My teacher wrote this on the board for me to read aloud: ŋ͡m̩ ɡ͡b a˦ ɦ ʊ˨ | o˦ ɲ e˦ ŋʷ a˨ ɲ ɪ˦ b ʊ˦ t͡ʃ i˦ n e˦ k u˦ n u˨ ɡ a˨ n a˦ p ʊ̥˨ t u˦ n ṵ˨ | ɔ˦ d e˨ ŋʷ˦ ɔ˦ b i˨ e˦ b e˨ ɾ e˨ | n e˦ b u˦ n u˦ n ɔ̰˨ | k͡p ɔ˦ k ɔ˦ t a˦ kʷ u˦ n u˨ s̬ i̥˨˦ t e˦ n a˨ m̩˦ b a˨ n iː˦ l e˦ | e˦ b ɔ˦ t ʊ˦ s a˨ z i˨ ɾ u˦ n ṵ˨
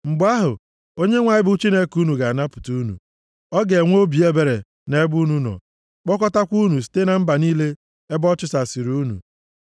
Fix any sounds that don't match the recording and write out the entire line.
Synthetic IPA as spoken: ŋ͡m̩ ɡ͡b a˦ ɦ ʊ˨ | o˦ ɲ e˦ ŋʷ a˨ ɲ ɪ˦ b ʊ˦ t͡ʃ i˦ n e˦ k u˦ n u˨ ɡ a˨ n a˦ p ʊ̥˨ t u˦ n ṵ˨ | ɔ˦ ɡ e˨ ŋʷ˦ o˦ b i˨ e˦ b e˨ ɾ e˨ | n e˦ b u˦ n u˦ n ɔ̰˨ | k͡p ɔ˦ k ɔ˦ t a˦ kʷ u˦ n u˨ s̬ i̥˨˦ t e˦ n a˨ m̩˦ b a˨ n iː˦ l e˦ | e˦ b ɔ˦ t͡ʃ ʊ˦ s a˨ s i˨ ɾ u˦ n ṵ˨